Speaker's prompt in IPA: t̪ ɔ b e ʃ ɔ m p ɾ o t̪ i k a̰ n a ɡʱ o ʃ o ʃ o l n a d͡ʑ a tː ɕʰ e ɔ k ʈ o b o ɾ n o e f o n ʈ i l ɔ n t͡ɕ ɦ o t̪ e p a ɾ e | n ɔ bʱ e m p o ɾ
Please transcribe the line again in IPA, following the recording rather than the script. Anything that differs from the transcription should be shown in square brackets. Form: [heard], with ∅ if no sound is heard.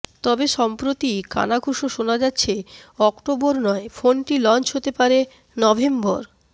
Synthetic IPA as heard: t̪ ɔ b e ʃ ɔ m p ɾ o t̪ i k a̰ n a ɡʱ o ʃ o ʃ o [∅] n a d͡ʑ a tː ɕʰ e ɔ k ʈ o b o ɾ n [ɔ] e f o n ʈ i l ɔ n t͡ɕ ɦ o t̪ e p a ɾ e | n ɔ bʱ e m [b] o ɾ

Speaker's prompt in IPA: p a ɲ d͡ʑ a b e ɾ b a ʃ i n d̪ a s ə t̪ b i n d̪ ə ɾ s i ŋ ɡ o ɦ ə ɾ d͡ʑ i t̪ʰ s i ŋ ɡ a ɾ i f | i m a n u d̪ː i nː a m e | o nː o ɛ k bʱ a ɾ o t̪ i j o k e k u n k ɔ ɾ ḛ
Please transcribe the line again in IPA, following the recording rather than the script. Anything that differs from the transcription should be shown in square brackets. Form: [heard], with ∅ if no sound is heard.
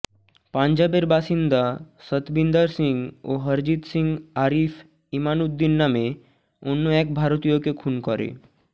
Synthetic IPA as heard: p a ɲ d͡ʑ a b e ɾ b a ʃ i n d̪ a s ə t̪ b i n d̪ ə ɾ s i ŋ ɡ o ɦ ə ɾ d͡ʑ i [t̪] s i ŋ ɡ a ɾ i f | i m a n u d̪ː i nː a m e | o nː o ɛ k bʱ a ɾ o t̪ i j o k e [kʰ] u n k ɔ ɾ ḛ

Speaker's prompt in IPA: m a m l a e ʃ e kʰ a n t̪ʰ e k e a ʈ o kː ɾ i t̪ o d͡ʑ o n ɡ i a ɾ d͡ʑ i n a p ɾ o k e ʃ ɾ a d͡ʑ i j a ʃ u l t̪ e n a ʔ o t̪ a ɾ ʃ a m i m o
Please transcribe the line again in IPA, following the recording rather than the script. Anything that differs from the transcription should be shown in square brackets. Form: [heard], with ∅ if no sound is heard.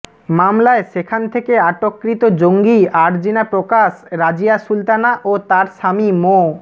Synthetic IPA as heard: m a m l a e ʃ e kʰ a n t̪ʰ e k e a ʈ o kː ɾ i t̪ o d͡ʑ o [ŋ] ɡ i a ɾ d͡ʑ i n a p ɾ o k [a] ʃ ɾ a d͡ʑ i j a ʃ u l t̪ [a] n a ʔ o t̪ a ɾ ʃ a m i m o

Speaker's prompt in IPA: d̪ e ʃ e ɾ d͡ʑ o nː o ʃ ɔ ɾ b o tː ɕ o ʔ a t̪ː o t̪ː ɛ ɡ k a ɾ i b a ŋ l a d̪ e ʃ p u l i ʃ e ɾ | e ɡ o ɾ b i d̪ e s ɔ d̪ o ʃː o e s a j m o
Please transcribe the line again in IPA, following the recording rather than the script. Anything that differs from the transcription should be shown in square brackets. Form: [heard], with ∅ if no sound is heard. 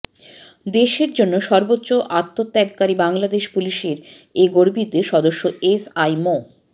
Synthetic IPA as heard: d̪ e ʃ e ɾ d͡ʑ o nː o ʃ ɔ ɾ b o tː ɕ o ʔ a t̪ː o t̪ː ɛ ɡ k a ɾ i b a ŋ l a d̪ e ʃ p u l i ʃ e ɾ | e ɡ o ɾ b i [t̪] e [ʃ] ɔ d̪ o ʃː o e s a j m o

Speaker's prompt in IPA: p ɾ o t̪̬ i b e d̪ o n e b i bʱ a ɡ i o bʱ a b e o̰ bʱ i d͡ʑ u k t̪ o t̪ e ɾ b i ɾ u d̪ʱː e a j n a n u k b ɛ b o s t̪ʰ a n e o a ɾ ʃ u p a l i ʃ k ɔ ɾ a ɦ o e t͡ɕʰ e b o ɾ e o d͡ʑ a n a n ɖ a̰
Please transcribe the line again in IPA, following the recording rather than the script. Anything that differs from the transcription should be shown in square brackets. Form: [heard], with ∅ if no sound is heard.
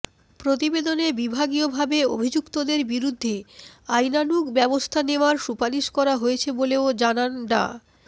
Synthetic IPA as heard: p ɾ o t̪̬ i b e d̪ o n e b i bʱ a ɡ i o bʱ a b e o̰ bʱ i d͡ʑ u k t̪ o [d̪] e ɾ b i ɾ u d̪ʱː e a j n a n u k b ɛ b o s t̪ʰ a n e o a ɾ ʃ u p a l i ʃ k ɔ ɾ a ɦ o e t͡ɕʰ e b o [l] e o d͡ʑ a n a n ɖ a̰

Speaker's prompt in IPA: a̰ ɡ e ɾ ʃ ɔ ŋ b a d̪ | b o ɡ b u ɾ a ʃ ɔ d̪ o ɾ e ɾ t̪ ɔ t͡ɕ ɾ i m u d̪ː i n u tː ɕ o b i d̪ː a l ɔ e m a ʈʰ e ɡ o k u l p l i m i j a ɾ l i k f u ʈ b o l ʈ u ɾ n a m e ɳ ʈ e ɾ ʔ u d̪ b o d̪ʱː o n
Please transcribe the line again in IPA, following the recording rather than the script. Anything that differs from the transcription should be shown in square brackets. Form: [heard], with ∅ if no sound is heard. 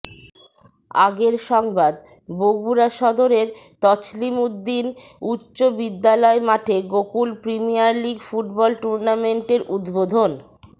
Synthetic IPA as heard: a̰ ɡ e ɾ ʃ ɔ ŋ b a d̪ | b o ɡ b u ɾ a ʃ ɔ d̪ o ɾ e ɾ t̪ ɔ t͡ɕ [l] i m u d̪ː i n u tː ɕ o b i d̪ː a l ɔ e m a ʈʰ e ɡ o k u l p [ɾ] i m i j a ɾ l i [ɡ] f u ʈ b [ɔ] l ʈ u ɾ n a m e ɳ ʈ e ɾ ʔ u d̪ b o [d̪ʱ] o n

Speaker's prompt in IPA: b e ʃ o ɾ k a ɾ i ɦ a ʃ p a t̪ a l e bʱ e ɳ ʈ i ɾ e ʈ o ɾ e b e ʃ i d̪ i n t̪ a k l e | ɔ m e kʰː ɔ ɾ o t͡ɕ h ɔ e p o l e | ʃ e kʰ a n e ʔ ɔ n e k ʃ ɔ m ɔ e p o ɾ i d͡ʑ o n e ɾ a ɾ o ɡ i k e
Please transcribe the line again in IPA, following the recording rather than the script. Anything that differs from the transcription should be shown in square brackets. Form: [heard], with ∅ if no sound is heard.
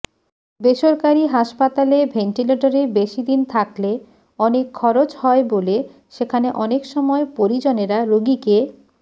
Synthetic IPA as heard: b e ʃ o ɾ k a ɾ i ɦ a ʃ p a t̪ a l e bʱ e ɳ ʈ i [l] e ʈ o ɾ e b e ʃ i d̪ i n [t̪ʰ] a k l e | ɔ [n] e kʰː ɔ ɾ o t͡ɕ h ɔ e [b] o l e | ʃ e kʰ a n e ʔ ɔ n e k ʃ ɔ m ɔ e p o ɾ i d͡ʑ o n e ɾ a ɾ o ɡ i k e

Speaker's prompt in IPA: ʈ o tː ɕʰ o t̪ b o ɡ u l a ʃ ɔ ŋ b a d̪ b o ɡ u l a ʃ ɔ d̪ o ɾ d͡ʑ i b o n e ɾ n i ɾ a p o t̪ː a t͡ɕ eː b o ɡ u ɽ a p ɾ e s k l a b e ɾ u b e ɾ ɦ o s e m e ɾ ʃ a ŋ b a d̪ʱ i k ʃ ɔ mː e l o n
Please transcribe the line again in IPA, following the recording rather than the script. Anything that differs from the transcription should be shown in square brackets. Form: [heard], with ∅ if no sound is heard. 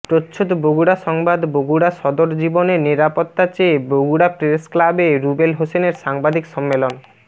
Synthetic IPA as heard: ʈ o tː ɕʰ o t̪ b o ɡ u [ɽ] a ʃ ɔ ŋ b a d̪ b o ɡ u [ɽ] a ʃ ɔ d̪ o ɾ d͡ʑ i b o n e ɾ n i ɾ a p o t̪ː a t͡ɕ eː b o ɡ u ɽ a p ɾ e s k l a b e ɾ u b e [l] ɦ o s e [n] e ɾ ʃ a ŋ b a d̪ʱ i k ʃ ɔ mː e l o n

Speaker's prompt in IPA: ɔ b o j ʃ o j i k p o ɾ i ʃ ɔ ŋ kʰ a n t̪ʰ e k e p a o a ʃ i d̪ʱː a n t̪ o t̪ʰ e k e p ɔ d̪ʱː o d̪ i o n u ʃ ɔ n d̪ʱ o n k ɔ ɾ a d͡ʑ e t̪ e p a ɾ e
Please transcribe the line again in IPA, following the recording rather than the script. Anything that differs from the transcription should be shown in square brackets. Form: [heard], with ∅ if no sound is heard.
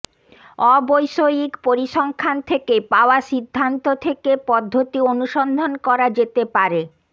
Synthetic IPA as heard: ɔ b o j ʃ o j i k p o ɾ i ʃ ɔ ŋ kʰ a n t̪ʰ e k e p a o a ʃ i d̪ʱː a n t̪ o t̪ʰ e k e p ɔ d̪ʱː o [t̪] i o n u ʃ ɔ n d̪ʱ o n k ɔ ɾ a d͡ʑ e t̪ e p a ɾ e

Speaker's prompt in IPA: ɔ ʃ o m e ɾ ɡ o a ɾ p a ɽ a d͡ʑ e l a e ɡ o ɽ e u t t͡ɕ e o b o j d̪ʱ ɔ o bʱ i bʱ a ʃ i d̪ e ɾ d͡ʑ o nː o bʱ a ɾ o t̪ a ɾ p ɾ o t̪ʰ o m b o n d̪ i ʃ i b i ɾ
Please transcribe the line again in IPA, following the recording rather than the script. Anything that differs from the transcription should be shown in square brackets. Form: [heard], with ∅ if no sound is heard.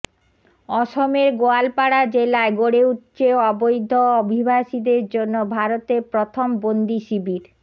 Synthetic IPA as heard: ɔ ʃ o m e ɾ ɡ o a [l] p a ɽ a d͡ʑ e l a e ɡ o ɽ e u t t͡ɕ e [ɔ] b o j d̪ʱ [o] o bʱ i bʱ a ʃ i d̪ e ɾ d͡ʑ o nː o bʱ a ɾ o t̪ [e] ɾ p ɾ o t̪ʰ o m b o n d̪ i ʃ i b i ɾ

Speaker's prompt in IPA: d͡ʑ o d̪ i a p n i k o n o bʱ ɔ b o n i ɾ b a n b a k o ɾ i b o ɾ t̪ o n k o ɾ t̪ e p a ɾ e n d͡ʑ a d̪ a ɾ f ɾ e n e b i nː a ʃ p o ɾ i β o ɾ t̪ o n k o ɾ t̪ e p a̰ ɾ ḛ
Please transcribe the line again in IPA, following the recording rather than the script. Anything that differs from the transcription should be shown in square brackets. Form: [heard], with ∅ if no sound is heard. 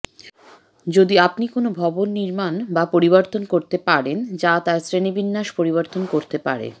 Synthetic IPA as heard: d͡ʑ o d̪ i a p n i k o n o bʱ ɔ b o [nː] i ɾ [m] a n b a [p] o ɾ i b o ɾ t̪ o n k o ɾ t̪ e p a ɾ e n d͡ʑ a [t̪] a ɾ [s] ɾ e n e b i nː a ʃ p o ɾ i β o ɾ t̪ o n k o ɾ t̪ e p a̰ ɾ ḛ

